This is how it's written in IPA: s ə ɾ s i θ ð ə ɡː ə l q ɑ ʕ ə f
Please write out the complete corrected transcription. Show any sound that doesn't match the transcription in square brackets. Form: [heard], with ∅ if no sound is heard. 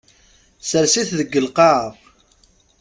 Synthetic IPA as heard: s ə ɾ s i θ ð ə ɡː ə l q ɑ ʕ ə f